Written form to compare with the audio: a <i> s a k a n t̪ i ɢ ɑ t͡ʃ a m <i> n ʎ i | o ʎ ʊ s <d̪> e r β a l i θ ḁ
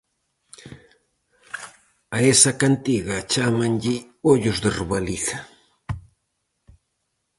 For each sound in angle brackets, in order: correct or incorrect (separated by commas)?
incorrect, incorrect, correct